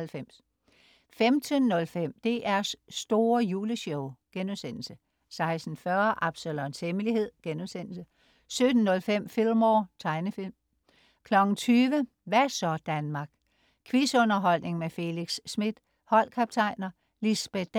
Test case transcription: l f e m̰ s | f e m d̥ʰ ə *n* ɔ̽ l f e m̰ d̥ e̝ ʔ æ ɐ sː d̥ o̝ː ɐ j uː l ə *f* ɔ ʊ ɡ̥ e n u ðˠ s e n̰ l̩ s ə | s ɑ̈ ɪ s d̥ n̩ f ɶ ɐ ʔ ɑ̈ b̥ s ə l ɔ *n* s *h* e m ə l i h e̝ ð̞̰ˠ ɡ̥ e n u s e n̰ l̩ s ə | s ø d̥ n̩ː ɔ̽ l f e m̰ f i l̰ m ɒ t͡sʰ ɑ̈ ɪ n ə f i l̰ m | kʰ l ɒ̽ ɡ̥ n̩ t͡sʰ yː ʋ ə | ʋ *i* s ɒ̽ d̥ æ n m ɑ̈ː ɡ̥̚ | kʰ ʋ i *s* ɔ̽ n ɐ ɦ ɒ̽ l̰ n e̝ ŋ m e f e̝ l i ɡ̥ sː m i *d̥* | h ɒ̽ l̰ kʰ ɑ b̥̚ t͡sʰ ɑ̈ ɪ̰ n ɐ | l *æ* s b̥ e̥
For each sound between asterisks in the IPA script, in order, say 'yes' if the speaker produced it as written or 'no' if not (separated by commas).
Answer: no, no, yes, yes, no, yes, yes, no